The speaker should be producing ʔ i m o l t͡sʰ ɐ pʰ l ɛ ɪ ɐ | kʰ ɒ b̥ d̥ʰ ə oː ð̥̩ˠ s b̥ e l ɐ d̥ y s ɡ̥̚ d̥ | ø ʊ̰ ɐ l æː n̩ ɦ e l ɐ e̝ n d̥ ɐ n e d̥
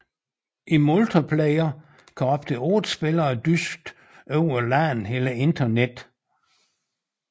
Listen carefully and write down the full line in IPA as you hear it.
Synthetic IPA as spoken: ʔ i m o l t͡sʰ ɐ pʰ l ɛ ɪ ɐ | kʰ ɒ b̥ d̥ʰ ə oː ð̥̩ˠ s b̥ e l ɐ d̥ y s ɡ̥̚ d̥ | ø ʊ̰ ɐ l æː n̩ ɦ e l ɐ e̝ n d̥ ɐ n e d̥